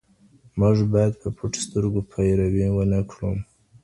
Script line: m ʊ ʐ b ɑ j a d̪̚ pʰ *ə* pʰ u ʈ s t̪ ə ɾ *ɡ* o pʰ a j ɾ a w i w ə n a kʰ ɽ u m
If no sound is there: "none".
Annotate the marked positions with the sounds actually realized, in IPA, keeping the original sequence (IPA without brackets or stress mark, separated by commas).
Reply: ə, ɡ